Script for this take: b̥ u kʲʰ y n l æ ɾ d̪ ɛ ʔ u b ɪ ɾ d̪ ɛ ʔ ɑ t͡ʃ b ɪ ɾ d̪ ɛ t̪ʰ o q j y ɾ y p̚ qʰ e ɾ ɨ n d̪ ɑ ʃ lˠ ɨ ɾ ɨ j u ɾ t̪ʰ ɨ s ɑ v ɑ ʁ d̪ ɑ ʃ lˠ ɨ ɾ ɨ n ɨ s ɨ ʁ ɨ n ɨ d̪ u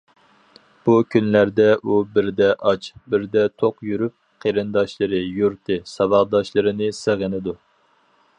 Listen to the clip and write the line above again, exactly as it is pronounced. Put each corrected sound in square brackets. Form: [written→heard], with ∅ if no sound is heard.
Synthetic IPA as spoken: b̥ u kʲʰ y n l æ ɾ d̪ ɛ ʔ u b ɪ ɾ d̪ ɛ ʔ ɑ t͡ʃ b ɪ ɾ d̪ ɛ t̪ʰ o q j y ɾ y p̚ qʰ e ɾ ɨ n d̪ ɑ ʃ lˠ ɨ ɾ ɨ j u ɾ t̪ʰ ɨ s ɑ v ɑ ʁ d̪ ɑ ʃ lˠ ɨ ɾ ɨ n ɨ s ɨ ʁ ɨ n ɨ d̪ u

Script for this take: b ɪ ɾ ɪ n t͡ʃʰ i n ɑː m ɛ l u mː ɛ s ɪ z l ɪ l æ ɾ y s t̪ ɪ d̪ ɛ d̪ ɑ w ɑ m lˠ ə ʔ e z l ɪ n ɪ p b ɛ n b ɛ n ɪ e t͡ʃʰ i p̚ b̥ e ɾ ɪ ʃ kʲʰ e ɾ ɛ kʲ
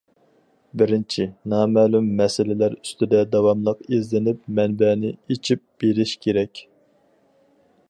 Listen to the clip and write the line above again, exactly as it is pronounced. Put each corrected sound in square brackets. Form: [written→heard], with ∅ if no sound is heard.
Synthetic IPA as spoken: b ɪ ɾ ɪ n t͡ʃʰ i n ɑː m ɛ l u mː ɛ s ɪ [z→∅] l ɪ l æ ɾ y s t̪ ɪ d̪ ɛ d̪ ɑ w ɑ m lˠ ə [ʔ→q] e z l ɪ n ɪ p [b→m] ɛ n b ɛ n ɪ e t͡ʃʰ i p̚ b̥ e ɾ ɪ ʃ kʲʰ e ɾ ɛ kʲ

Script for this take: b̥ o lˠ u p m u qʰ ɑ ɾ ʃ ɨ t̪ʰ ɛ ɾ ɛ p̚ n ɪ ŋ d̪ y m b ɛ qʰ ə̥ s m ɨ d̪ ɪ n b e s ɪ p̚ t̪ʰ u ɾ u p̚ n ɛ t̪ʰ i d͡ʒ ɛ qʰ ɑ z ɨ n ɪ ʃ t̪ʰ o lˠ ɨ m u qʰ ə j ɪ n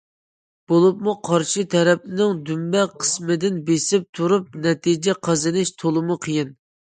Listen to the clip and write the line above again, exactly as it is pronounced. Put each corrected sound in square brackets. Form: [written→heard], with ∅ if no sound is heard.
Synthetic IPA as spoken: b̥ o lˠ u p m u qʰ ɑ ɾ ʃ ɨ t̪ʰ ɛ ɾ ɛ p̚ n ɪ ŋ d̪ y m b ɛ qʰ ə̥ s m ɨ d̪ ɪ n b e s ɪ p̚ t̪ʰ u ɾ u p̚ n ɛ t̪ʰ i d͡ʒ ɛ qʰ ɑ z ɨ n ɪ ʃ t̪ʰ o lˠ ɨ m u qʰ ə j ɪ n

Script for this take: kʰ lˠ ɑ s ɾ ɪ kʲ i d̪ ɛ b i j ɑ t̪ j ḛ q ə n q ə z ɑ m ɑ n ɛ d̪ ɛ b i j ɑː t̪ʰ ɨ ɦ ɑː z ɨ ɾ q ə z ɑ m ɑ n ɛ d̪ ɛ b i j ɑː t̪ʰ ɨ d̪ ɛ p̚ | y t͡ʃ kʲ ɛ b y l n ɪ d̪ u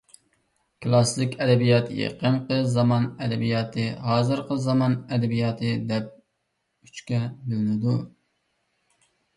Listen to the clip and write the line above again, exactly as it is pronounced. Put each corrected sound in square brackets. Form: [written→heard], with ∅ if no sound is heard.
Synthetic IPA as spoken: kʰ lˠ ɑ s [ɾ→l] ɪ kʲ [i→ɛ] d̪ ɛ b i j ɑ t̪ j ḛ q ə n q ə z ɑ m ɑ n ɛ d̪ ɛ b i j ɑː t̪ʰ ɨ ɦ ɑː z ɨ ɾ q ə z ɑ m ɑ n ɛ d̪ ɛ b i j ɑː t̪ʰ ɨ d̪ ɛ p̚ | y t͡ʃ kʲ ɛ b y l n ɪ d̪ u

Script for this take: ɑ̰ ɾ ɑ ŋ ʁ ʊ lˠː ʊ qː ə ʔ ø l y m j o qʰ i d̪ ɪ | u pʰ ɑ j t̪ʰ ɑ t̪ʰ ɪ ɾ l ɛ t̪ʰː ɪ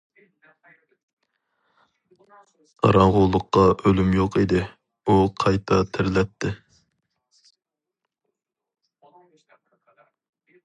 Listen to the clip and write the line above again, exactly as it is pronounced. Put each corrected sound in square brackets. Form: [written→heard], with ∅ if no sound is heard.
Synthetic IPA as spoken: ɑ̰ ɾ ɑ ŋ ʁ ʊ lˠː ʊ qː [ə→ɑ] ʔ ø l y m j o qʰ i d̪ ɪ | u [pʰ→qʰ] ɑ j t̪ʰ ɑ t̪ʰ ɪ ɾ l ɛ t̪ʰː ɪ

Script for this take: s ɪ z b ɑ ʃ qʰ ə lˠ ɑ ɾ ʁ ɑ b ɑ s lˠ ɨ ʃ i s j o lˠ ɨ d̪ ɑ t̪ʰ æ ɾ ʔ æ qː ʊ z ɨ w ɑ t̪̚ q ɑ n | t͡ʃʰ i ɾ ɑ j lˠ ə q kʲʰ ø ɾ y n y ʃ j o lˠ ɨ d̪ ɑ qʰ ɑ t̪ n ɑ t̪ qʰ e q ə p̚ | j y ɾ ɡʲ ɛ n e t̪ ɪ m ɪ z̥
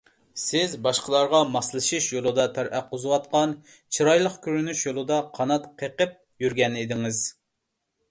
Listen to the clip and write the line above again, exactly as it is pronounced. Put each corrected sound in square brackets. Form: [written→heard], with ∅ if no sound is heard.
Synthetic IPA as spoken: s ɪ z b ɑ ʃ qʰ ə lˠ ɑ ɾ ʁ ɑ [b→m] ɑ s lˠ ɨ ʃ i [s→ʃ] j o lˠ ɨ d̪ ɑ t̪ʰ æ ɾ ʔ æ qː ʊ z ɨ w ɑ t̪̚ q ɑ n | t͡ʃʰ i ɾ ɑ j lˠ ə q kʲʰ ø ɾ y n y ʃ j o lˠ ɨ d̪ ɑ qʰ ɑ [t̪→∅] n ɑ t̪ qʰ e q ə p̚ | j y ɾ ɡʲ ɛ n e [t̪→d̪] ɪ [m→ŋ] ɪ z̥

